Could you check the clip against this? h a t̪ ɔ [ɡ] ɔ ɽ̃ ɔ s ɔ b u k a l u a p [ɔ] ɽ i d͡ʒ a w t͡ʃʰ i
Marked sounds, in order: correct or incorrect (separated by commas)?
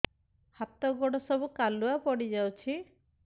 correct, correct